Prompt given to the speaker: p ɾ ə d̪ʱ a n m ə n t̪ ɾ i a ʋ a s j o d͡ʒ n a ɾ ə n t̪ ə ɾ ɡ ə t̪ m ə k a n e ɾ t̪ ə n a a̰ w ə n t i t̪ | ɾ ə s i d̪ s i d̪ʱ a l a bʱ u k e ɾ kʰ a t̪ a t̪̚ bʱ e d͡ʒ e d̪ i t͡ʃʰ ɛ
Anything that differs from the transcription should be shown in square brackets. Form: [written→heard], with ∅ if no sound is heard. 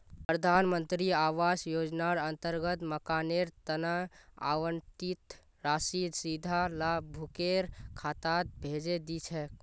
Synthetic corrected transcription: p ɾ ə d̪ʱ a n m ə n t̪ ɾ i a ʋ a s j o d͡ʒ n a ɾ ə n t̪ ə ɾ ɡ ə t̪ m ə k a n e ɾ t̪ ə n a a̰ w ə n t i t̪ | ɾ [ə→a] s i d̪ s i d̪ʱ a l a bʱ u k e ɾ kʰ a t̪ a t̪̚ bʱ e d͡ʒ e d̪ i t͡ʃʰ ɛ

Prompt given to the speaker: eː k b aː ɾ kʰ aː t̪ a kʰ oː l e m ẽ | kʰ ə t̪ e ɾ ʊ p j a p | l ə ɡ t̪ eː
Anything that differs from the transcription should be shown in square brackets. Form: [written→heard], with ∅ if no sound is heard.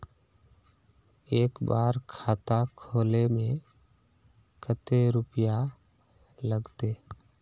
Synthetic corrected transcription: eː k b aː ɾ kʰ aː t̪ a kʰ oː l e m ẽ | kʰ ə t̪ e ɾ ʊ p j a [p→∅] | l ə ɡ t̪ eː

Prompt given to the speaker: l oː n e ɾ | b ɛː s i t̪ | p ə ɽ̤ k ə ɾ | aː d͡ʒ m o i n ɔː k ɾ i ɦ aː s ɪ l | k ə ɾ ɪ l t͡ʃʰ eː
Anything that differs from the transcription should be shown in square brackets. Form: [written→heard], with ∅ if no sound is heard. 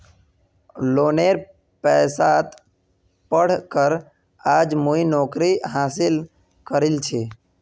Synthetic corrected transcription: l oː n e ɾ | [b→p] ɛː s [i→a] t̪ | p ə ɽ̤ k ə ɾ | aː d͡ʒ m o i n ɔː k ɾ i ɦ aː s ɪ l | k ə ɾ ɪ l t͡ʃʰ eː

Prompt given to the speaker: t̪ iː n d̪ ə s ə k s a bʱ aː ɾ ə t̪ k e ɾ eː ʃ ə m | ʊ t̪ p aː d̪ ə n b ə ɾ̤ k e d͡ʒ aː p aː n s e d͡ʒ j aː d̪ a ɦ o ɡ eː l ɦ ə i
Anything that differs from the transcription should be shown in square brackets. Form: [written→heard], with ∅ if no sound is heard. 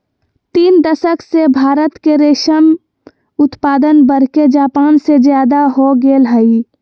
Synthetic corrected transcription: t̪ iː n d̪ ə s ə k s [a→e] bʱ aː ɾ ə t̪ k e ɾ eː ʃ ə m | ʊ t̪ p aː d̪ ə n b ə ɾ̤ k e d͡ʒ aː p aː n s e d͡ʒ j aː d̪ a ɦ o ɡ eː l ɦ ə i

